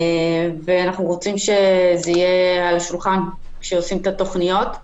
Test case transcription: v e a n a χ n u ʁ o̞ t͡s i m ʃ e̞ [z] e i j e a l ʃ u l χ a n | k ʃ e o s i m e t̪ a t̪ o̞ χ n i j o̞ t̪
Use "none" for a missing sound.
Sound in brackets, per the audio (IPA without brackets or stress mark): z